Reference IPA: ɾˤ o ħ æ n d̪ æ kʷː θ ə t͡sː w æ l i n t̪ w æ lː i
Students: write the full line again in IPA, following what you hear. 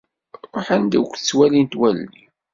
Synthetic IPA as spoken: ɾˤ o ħ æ n d̪ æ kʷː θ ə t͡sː w æ l i n t̪ w æ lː i